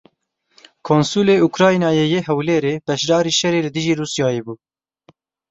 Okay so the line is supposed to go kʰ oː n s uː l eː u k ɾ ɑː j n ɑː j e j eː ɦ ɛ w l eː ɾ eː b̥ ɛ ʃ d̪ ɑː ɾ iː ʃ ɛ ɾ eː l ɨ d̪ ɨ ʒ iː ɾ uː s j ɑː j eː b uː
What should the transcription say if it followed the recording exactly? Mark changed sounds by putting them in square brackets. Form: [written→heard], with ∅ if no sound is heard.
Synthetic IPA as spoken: kʰ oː n s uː l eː u k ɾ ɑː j n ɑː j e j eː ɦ ɛ w l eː ɾ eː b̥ ɛ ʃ d̪ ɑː ɾ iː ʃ ɛ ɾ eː l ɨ d̪ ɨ ʒ iː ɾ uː s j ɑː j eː b uː